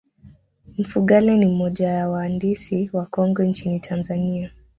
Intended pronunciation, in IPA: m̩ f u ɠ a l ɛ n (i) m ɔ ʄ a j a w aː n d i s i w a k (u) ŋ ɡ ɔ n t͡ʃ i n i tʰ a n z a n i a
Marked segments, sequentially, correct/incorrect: correct, incorrect: ɔ

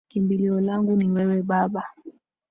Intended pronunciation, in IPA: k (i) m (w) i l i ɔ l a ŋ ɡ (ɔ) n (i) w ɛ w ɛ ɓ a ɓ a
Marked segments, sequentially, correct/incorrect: correct, incorrect: b, incorrect: u, correct

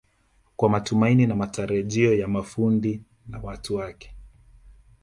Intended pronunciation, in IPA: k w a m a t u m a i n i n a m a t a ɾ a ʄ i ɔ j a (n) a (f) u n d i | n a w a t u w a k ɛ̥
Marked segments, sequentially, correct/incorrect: incorrect: m, correct

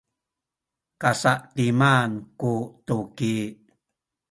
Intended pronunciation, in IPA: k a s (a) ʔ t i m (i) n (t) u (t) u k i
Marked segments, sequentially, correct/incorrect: correct, incorrect: a, incorrect: k, correct

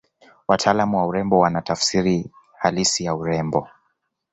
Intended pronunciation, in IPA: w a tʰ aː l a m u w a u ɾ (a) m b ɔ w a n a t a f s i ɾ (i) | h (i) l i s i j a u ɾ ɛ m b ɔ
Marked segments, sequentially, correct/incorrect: incorrect: ɛ, correct, incorrect: a

